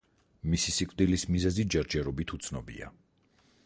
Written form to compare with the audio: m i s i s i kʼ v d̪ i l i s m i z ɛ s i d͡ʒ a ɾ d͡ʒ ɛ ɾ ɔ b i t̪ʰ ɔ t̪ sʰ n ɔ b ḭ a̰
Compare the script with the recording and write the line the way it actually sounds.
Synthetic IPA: m i s i s i kʼ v d̪ i l i s m i z ɛ z i d͡ʒ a ɾ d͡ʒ ɛ ɾ ɔ b i t̪ʰ u t̪ sʰ n ɔ b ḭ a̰